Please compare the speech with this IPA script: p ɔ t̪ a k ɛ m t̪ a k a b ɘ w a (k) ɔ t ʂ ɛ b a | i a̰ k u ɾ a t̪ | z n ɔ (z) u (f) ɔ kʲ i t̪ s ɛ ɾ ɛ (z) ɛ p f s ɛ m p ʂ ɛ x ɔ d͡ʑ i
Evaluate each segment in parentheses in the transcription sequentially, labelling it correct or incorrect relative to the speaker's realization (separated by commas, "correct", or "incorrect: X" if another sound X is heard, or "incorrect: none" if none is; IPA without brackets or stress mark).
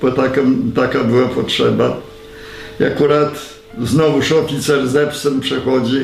incorrect: p, incorrect: v, incorrect: ʂ, correct